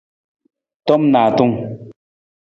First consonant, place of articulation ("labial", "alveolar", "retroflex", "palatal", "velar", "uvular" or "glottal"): alveolar